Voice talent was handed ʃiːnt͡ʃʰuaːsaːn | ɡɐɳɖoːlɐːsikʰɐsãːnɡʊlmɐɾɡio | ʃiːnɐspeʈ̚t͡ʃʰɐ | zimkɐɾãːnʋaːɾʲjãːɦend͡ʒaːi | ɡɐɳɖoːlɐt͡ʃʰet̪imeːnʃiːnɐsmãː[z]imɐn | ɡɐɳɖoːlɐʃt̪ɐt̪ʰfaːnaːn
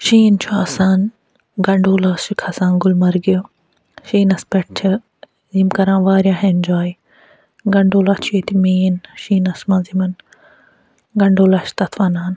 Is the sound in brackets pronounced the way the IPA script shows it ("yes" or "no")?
yes